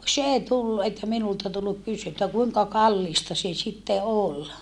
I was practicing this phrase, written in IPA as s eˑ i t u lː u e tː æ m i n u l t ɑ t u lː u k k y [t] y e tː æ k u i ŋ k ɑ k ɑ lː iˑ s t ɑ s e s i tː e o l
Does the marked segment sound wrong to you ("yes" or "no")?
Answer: yes